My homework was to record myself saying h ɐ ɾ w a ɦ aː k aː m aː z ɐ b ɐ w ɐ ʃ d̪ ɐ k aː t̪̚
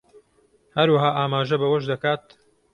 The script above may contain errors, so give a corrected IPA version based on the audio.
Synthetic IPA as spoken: h ɐ ɾ w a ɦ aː ʔ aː m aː ʒ ɐ b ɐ w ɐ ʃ d̪ ɐ k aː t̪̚